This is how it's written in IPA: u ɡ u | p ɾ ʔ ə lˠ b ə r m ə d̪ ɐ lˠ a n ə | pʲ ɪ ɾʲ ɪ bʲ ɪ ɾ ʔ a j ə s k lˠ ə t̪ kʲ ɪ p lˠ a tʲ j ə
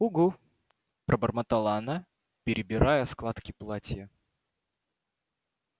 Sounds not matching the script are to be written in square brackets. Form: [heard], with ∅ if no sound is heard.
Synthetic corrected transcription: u ɡ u | p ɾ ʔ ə [∅] b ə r m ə [t̪] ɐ lˠ a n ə | pʲ ɪ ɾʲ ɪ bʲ ɪ ɾ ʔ a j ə s k lˠ [a] t̪ kʲ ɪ p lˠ a tʲ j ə